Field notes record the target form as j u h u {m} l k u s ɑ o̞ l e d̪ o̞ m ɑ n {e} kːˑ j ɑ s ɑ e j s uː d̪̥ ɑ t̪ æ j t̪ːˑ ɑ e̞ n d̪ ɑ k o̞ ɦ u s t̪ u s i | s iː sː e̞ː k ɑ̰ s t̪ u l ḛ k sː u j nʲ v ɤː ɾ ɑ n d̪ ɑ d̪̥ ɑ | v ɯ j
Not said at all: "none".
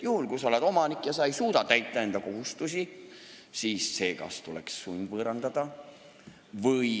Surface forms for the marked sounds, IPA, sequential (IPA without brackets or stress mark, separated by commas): none, i